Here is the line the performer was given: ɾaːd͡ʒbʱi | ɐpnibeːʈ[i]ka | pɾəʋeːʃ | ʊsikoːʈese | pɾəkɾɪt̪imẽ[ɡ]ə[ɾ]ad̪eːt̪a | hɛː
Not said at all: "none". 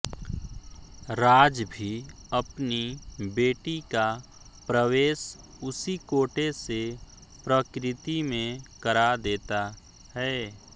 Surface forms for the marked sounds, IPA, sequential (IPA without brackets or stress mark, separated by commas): i, k, ɾ